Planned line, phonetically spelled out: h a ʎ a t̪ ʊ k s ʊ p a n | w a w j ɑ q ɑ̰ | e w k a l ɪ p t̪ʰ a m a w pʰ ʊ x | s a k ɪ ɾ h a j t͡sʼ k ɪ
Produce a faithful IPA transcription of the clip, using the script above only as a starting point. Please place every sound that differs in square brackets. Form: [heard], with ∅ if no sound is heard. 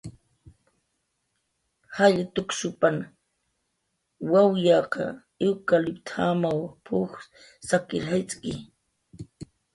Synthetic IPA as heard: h a ʎ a t̪ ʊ k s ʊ p a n | w a w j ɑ q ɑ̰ | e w k a l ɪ p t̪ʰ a m a w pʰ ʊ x | s a k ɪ ɾ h a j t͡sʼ k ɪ